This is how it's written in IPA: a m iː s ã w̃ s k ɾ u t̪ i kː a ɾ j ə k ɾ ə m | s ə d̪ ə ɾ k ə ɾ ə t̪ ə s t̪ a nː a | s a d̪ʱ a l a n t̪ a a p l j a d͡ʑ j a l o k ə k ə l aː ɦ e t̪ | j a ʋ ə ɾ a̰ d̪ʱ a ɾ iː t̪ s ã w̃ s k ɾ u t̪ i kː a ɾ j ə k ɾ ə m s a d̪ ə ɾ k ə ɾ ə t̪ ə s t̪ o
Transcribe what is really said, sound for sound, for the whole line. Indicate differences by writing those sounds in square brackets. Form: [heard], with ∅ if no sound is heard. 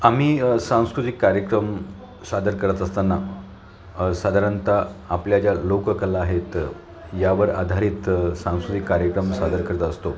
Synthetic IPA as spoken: a m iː s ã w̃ s k ɾ u t̪ i kː a ɾ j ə k ɾ ə m | s [a] d̪ ə ɾ k ə ɾ ə t̪ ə s t̪ a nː a | s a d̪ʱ a [ɾ] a n t̪ a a p l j a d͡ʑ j a l o k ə k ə l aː ɦ e t̪ | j a ʋ ə ɾ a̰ d̪ʱ a ɾ iː t̪ s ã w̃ s k ɾ u t̪ i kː a ɾ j ə k ɾ ə m s a d̪ ə ɾ k ə ɾ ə t̪ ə s t̪ o